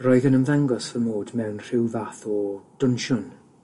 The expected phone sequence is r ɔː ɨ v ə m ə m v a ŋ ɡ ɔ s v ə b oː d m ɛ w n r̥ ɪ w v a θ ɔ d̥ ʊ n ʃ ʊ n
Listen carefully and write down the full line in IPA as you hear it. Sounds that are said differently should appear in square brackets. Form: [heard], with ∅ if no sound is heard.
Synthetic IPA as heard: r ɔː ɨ [ð] ə [n] ə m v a ŋ ɡ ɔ s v ə [m] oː d m ɛ w n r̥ ɪ w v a θ ɔ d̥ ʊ n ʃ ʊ n